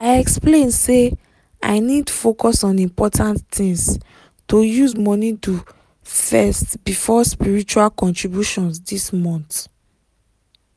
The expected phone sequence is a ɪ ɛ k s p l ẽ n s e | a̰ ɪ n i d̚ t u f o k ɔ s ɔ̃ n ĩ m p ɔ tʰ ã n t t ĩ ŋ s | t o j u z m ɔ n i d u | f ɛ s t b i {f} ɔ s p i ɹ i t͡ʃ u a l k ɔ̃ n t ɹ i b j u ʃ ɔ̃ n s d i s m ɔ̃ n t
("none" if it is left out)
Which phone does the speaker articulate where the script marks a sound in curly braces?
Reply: f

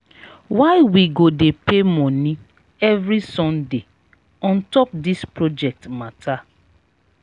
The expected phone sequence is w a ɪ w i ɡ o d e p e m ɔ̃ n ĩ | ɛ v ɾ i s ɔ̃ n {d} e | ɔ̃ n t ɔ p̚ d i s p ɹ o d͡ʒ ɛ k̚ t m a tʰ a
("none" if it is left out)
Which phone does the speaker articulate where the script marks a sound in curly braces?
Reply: d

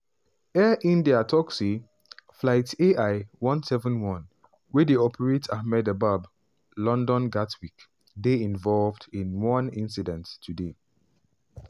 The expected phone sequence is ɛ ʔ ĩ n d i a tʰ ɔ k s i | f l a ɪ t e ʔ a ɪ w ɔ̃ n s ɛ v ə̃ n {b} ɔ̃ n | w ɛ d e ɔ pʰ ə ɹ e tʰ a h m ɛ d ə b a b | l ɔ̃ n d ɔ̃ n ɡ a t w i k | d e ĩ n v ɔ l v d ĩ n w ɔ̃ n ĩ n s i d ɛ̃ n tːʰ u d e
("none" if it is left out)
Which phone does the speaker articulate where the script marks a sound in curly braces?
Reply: w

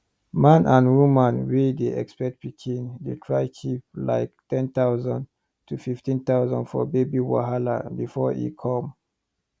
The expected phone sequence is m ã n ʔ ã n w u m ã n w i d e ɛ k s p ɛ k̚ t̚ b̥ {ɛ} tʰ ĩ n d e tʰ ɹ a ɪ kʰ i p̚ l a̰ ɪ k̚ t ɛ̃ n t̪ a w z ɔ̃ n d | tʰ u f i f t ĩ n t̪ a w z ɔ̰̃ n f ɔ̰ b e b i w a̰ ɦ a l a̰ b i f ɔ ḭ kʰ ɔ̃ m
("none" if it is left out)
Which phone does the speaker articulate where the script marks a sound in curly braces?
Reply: i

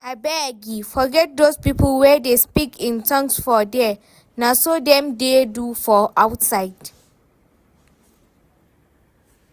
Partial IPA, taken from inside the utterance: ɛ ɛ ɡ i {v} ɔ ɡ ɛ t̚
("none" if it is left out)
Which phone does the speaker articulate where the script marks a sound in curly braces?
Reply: f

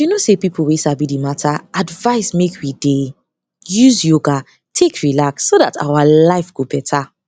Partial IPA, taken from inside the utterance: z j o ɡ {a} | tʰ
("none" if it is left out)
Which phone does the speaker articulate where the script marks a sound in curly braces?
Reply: a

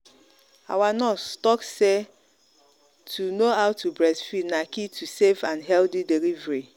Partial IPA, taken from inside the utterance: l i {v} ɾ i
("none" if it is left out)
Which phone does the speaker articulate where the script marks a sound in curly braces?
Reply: v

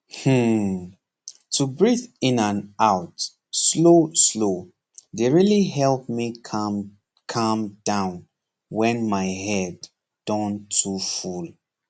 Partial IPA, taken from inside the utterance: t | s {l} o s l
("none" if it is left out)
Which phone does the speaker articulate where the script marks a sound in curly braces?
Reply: l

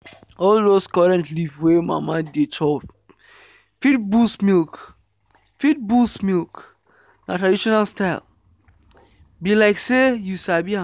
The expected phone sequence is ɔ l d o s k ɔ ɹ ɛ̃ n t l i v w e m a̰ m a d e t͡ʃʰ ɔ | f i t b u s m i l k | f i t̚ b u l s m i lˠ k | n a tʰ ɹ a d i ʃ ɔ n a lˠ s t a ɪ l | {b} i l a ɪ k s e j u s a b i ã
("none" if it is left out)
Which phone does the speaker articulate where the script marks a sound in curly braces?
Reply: b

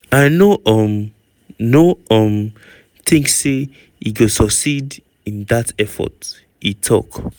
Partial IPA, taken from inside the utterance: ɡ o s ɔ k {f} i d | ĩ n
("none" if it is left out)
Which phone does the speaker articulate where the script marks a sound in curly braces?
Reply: s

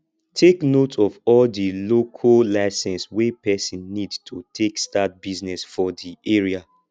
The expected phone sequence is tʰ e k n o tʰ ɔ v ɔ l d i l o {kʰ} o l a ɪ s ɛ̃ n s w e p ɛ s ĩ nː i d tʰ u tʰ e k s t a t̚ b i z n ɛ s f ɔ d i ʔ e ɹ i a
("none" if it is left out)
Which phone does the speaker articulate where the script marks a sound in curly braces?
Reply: kʰ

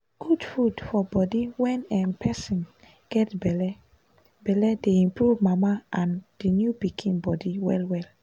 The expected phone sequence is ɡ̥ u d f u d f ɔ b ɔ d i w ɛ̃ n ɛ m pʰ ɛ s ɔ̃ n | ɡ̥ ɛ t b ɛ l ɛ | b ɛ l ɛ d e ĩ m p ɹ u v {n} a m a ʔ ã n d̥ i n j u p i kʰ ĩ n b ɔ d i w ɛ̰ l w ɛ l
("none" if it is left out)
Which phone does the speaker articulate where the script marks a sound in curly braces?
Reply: m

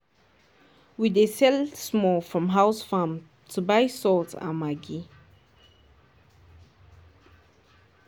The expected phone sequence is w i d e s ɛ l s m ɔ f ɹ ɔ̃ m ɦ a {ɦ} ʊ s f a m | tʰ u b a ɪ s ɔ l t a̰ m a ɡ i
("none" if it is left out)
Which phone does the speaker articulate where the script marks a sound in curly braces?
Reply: none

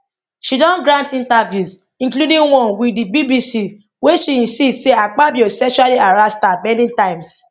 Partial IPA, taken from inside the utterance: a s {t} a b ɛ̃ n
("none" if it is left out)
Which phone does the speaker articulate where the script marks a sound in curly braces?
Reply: t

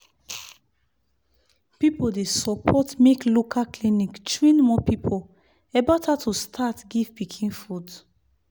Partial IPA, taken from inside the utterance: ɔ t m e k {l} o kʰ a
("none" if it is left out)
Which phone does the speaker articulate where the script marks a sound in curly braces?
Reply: l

